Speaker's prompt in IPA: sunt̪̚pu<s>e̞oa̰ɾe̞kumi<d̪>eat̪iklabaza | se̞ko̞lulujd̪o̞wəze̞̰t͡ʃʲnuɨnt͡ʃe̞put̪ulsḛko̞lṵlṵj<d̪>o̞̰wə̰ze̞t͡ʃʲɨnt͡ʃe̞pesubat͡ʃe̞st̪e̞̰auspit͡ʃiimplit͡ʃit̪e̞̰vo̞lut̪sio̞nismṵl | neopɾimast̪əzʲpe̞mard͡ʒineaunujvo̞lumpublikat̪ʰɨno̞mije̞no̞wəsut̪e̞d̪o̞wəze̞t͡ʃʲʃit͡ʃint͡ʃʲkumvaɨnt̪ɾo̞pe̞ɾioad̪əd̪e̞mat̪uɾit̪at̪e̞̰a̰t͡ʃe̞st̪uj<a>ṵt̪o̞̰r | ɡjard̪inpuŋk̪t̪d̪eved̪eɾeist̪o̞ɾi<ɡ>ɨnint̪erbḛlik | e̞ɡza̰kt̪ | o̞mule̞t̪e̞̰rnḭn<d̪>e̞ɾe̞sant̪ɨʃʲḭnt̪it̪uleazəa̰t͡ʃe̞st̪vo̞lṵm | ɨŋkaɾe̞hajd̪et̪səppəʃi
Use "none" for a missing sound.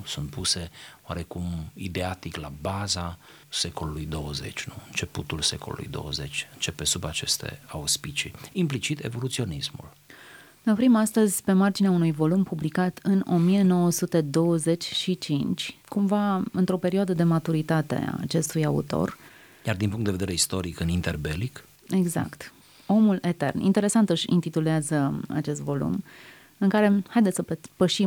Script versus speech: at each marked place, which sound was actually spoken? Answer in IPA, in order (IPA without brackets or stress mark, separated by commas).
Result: s, d̪, d̪, a, k, t̪